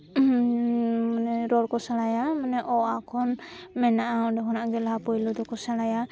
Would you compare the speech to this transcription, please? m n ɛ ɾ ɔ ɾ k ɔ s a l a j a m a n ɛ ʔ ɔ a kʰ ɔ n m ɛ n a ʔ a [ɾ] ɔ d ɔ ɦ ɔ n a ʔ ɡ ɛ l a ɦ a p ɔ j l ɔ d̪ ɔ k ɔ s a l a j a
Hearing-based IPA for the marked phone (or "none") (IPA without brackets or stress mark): none